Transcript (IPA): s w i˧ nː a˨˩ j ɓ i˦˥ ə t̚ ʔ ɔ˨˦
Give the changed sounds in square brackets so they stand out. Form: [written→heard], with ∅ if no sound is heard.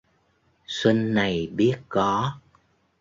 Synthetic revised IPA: s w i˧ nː a˨˩ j ɓ i˦˥ ə t̚ [ʔ→k] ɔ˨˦